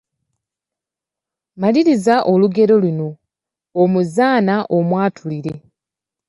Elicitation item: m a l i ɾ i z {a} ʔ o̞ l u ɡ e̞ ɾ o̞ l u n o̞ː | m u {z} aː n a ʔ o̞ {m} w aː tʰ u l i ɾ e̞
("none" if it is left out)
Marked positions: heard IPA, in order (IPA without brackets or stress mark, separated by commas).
a, z, m